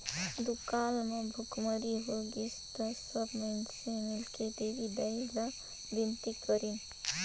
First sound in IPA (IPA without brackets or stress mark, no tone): d̪